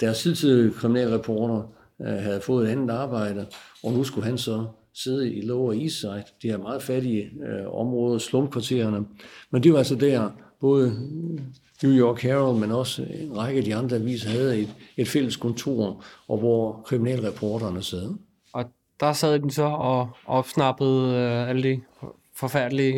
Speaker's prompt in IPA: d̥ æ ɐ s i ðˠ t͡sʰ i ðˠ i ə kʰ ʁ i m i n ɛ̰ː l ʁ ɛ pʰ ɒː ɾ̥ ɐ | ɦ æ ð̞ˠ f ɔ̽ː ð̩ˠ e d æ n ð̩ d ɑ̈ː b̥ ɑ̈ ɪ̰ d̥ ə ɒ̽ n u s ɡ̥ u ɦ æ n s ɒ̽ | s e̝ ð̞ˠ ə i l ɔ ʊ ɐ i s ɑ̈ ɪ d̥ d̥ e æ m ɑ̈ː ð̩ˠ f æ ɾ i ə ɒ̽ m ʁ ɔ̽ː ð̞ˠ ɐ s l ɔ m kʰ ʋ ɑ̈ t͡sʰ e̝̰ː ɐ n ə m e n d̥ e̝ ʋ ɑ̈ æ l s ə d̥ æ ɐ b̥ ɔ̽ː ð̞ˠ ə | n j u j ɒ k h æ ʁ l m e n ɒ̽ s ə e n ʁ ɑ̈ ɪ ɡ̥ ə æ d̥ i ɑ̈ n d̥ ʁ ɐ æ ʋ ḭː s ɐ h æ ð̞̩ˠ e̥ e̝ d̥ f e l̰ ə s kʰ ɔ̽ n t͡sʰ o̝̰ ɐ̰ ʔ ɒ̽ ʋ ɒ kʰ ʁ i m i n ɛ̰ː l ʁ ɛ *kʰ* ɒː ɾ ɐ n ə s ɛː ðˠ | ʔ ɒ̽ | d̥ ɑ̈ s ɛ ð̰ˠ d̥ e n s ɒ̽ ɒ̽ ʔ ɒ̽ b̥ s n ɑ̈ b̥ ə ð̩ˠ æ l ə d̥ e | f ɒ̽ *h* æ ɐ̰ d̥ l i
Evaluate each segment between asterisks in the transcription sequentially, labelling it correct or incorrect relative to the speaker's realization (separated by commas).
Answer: incorrect, incorrect